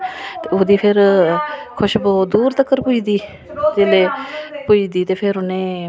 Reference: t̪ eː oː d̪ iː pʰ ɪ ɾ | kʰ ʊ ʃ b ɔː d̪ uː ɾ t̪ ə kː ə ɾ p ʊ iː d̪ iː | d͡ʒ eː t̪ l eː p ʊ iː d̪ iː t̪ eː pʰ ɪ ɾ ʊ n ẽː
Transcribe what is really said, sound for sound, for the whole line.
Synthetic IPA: t̪ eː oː d̪ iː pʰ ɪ ɾ | kʰ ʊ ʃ b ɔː d̪ uː ɾ t̪ ə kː ə ɾ p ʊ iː d̪ iː | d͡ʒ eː l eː p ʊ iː d̪ iː t̪ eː pʰ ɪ ɾ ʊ n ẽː